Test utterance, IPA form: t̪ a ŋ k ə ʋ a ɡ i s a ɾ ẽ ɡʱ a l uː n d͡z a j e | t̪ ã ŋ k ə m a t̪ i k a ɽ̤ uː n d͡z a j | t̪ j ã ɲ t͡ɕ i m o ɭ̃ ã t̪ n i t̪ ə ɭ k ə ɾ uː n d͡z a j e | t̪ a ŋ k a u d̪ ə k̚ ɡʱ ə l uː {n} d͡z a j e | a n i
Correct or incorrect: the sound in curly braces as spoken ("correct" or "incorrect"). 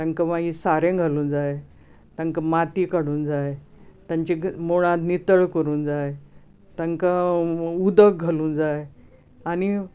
correct